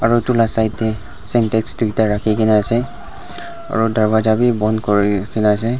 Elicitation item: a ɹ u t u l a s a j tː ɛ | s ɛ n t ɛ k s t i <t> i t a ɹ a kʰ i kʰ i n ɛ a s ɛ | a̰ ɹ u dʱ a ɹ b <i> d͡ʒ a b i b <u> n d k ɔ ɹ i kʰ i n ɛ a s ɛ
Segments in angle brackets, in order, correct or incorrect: incorrect: none, incorrect: a, incorrect: ɔ

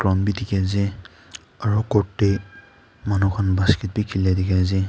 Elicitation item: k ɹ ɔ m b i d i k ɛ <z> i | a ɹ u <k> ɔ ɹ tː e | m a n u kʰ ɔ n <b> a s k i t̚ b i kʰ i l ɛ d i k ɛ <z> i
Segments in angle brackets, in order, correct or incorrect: correct, correct, correct, correct

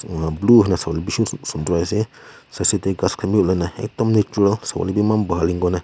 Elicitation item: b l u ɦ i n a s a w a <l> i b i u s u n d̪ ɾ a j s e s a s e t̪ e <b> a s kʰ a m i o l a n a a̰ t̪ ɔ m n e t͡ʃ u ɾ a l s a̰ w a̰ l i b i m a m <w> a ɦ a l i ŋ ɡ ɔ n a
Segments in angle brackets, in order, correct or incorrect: correct, incorrect: ɡ, incorrect: b

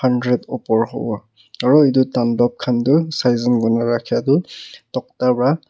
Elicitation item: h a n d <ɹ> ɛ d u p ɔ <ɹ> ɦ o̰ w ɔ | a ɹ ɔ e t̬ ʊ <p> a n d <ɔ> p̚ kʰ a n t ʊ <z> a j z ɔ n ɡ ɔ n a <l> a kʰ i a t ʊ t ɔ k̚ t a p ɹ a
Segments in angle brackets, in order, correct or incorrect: correct, correct, incorrect: t, correct, incorrect: s, incorrect: ɹ

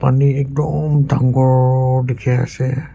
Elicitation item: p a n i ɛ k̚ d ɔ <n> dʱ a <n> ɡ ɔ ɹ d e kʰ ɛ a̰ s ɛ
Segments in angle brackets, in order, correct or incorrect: incorrect: m, incorrect: ŋ

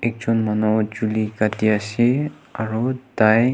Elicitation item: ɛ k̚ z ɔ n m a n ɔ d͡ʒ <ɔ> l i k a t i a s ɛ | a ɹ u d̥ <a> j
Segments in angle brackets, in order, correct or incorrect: incorrect: u, correct

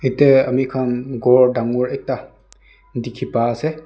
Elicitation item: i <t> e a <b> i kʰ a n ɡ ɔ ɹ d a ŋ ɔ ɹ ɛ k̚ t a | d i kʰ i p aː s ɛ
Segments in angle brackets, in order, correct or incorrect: correct, incorrect: m

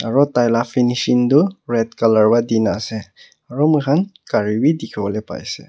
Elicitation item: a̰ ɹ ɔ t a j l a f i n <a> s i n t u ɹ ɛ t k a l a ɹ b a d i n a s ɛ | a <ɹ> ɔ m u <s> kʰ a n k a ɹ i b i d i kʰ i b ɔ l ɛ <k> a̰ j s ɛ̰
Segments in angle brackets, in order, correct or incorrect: incorrect: i, correct, incorrect: none, incorrect: p

